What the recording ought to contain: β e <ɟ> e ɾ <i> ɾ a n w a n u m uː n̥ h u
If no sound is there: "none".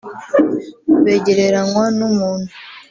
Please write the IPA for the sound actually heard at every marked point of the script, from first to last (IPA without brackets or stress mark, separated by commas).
ɟ, e